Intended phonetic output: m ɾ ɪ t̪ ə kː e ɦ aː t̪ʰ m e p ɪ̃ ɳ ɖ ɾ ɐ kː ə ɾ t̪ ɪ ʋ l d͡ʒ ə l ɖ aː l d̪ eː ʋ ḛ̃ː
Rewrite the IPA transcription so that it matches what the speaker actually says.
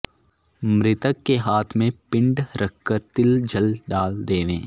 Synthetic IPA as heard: m ɾ ɪ t̪ ə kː e ɦ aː t̪ʰ m ẽ p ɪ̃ ɳ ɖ ɾ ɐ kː ə ɾ t̪ ɪ l d͡ʒ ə l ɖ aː l d̪ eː ʋ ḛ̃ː